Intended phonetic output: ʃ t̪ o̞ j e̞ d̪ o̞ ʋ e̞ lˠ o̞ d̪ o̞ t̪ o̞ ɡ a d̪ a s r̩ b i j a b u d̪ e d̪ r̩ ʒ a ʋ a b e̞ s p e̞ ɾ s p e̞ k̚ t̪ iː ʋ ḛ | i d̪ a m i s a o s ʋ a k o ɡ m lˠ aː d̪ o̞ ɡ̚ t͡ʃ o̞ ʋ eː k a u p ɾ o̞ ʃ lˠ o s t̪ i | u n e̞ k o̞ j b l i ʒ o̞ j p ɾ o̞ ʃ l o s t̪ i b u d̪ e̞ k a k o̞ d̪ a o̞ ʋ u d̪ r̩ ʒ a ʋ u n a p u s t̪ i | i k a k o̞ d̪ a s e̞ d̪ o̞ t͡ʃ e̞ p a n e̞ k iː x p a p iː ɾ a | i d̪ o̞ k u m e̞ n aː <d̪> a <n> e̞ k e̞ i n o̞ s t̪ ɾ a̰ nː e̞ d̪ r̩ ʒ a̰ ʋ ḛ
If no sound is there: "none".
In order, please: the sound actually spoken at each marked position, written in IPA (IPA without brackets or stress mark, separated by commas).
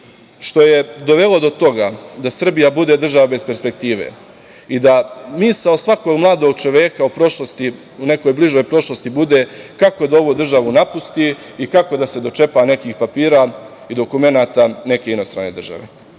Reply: t̪, n